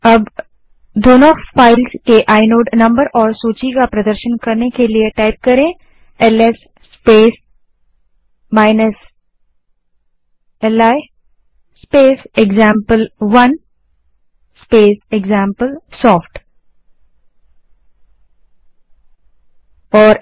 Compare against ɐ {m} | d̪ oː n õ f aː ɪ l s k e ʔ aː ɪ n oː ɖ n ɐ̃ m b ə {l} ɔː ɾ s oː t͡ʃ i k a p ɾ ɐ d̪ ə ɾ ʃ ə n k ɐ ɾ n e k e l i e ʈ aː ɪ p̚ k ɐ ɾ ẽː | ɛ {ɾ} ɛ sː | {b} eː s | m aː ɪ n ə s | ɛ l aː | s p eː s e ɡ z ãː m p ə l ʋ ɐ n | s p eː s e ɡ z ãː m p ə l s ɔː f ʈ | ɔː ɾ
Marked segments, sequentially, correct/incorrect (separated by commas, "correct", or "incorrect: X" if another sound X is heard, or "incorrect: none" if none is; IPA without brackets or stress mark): incorrect: b, incorrect: ɾ, incorrect: l, incorrect: p